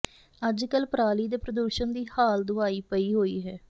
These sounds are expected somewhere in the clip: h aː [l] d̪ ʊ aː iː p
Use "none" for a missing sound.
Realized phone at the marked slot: l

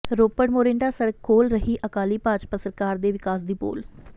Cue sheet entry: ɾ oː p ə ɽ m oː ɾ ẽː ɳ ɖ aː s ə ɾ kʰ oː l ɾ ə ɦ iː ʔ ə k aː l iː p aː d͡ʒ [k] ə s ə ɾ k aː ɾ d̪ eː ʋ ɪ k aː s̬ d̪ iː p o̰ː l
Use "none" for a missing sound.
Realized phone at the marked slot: p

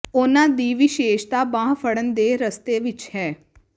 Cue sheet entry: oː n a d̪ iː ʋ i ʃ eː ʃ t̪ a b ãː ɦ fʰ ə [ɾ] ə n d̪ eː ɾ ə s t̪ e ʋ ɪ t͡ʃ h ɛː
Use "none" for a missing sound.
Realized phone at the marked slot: ɽ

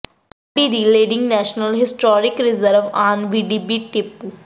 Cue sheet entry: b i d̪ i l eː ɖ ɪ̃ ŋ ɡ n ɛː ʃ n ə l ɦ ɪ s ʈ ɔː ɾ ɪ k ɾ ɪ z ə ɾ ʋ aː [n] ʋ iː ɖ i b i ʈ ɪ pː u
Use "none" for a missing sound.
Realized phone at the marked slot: n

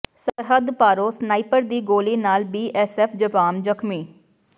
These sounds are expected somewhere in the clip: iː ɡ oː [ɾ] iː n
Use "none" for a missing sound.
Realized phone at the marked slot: l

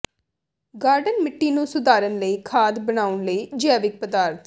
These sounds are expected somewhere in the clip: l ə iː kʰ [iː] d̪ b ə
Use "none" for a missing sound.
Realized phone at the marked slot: aː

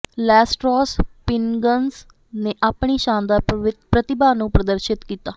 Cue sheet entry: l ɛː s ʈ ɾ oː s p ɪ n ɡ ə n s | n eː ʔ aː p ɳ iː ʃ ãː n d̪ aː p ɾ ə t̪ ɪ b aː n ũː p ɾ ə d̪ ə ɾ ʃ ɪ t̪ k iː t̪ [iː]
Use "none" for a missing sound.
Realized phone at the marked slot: aː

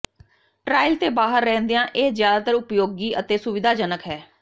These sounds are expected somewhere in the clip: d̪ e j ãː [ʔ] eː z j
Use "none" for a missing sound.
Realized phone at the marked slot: ʔ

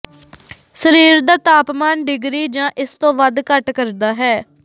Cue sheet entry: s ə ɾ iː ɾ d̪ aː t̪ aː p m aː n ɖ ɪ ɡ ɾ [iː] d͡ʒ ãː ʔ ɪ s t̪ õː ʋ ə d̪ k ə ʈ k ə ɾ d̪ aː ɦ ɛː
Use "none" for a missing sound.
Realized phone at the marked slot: iː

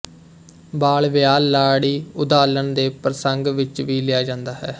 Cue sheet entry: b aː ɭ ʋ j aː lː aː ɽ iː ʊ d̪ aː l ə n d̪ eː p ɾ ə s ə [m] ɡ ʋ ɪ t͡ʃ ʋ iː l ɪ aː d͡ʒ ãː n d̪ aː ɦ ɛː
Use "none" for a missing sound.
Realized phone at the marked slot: ŋ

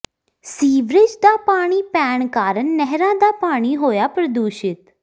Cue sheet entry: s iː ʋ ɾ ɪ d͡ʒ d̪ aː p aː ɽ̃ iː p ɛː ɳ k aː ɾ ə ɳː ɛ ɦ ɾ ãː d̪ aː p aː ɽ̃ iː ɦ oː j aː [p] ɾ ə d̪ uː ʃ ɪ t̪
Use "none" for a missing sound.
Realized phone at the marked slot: p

